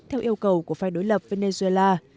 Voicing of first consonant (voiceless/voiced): voiceless